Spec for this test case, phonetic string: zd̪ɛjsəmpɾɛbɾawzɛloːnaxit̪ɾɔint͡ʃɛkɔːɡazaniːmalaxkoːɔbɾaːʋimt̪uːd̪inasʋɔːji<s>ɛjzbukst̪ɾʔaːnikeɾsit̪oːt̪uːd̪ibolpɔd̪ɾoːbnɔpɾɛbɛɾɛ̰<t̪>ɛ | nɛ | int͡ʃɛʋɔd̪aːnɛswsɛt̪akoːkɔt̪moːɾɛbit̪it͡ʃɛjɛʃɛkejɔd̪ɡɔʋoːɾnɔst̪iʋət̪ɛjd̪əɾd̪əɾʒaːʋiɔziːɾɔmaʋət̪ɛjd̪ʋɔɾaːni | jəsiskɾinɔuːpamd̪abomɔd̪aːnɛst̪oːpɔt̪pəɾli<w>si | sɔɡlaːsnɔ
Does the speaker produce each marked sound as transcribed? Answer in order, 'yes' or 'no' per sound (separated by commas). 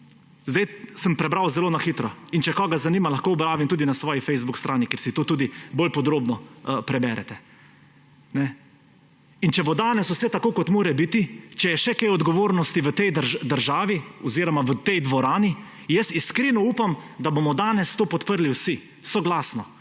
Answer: no, yes, yes